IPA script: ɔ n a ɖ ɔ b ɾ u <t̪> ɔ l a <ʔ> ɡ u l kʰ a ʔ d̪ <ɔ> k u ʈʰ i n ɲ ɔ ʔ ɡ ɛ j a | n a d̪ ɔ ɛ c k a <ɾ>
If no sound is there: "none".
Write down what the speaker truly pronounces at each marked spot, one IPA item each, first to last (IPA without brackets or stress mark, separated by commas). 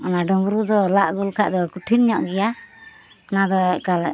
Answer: d̪, ʔ, ɔ, l